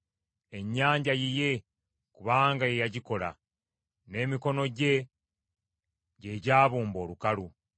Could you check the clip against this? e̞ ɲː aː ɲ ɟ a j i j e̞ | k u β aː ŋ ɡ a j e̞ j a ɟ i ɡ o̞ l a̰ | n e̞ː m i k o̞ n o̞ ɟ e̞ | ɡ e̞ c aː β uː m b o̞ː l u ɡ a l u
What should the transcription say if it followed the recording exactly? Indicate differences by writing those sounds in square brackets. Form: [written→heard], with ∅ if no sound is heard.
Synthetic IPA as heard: e̞ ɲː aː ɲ ɟ a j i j e̞ | k u β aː ŋ ɡ a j e̞ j a ɟ i [ɡ→k] o̞ l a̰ | n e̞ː m i k o̞ n o̞ ɟ e̞ | [ɡ→ɟ] e̞ [c→ɟ] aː β uː m b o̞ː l u [ɡ→k] a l u